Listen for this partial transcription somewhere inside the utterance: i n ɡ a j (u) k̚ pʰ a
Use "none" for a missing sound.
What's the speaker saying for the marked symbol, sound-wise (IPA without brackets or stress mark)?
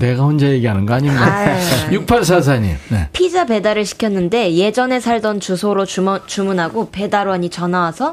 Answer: u